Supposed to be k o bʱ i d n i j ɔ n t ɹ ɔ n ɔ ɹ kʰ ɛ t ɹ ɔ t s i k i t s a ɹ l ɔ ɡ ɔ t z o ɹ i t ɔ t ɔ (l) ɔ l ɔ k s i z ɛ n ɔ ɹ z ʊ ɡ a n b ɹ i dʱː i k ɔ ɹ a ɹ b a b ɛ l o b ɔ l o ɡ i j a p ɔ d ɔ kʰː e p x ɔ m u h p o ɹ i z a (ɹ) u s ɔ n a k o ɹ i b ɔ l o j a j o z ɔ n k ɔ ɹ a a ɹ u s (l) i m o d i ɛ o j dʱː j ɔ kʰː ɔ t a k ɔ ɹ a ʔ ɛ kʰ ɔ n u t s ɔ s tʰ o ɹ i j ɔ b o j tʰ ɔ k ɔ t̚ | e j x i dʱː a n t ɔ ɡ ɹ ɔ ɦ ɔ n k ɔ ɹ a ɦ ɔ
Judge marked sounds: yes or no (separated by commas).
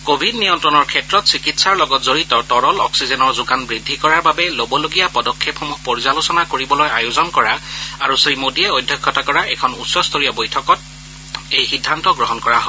no, no, no